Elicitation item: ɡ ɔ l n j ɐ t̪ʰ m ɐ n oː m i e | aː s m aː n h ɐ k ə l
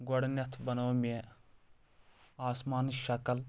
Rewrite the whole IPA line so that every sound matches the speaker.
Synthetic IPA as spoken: ɡ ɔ ɽ n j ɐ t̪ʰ b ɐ n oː m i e | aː s m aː n ʃ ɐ k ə l